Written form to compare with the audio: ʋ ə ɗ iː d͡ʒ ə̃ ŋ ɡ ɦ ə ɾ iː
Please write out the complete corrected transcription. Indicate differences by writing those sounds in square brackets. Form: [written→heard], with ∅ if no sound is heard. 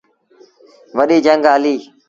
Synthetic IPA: ʋ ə ɗ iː d͡ʒ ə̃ ŋ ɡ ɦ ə [ɾ→l] iː